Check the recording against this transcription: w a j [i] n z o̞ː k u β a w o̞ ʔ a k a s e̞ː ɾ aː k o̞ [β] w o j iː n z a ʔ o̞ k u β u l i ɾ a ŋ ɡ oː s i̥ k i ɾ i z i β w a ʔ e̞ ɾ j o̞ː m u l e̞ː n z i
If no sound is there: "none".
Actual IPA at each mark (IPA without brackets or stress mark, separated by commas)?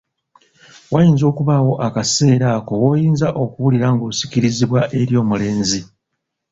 iː, none